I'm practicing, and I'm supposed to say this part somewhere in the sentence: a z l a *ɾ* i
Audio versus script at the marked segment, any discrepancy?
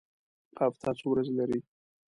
no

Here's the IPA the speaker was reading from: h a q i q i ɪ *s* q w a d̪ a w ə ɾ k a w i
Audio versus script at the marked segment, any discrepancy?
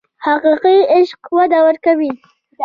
yes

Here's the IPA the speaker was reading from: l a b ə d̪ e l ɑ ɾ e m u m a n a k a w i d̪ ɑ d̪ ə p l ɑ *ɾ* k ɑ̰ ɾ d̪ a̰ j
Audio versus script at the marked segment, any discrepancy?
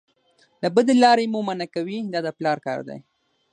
no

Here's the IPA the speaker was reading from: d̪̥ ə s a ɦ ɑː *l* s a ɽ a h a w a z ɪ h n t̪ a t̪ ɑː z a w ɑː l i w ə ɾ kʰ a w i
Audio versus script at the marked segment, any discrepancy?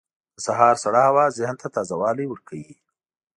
yes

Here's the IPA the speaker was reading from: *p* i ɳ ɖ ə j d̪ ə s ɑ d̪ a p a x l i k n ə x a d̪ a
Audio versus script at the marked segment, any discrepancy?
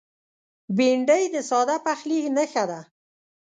yes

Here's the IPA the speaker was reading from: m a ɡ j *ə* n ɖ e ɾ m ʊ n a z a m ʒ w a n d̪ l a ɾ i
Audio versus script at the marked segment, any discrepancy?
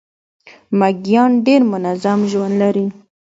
yes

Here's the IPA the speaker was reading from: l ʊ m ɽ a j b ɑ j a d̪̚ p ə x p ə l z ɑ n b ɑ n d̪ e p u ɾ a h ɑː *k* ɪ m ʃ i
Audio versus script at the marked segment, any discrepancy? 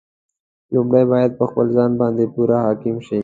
no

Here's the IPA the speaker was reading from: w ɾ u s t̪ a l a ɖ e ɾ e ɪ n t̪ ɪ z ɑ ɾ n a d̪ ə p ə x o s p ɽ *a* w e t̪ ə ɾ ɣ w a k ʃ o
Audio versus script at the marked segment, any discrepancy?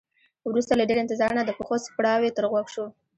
yes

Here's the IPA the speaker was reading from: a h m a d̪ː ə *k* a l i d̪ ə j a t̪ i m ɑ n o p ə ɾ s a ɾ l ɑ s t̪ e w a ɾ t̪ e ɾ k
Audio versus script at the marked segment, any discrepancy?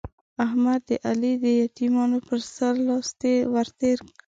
yes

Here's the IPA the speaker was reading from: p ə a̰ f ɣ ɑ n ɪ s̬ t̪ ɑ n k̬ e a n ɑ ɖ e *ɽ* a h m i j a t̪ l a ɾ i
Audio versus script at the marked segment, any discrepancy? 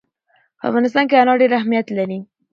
yes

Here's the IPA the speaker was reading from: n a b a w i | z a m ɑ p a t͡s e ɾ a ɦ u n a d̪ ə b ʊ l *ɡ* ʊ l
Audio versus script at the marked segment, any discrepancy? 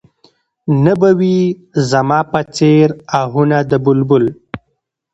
yes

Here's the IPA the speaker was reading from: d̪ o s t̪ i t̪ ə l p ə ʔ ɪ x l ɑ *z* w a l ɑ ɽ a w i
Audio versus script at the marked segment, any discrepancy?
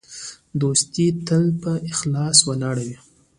yes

